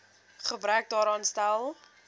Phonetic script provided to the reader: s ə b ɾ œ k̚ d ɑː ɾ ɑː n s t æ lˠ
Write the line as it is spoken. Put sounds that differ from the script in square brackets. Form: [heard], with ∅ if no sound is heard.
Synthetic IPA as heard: [χ] ə b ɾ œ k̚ d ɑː ɾ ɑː n s t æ lˠ